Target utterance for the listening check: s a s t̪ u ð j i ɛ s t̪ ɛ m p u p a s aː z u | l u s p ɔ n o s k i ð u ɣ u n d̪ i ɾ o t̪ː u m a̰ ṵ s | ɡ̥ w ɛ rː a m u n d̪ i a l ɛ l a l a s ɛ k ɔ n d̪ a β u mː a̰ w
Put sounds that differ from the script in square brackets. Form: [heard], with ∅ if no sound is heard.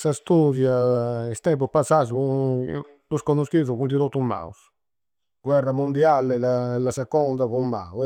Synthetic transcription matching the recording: s a s t̪ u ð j [a] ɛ s t̪ ɛ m p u p a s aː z u | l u s [k] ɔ n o s k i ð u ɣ u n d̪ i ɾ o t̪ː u m a̰ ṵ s | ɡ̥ w ɛ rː a m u n d̪ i a l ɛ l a l a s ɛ k ɔ n d̪ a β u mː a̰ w